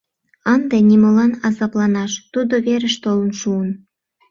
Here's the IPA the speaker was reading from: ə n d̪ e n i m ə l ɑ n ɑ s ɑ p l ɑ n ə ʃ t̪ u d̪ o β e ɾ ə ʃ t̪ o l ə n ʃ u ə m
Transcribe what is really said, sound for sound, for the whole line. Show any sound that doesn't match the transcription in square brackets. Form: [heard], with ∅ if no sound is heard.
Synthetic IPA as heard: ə n d̪ e n i m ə l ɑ n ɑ [z] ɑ p l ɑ n [ɑ] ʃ t̪ u d̪ o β e ɾ ə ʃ t̪ o l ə n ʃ u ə [n]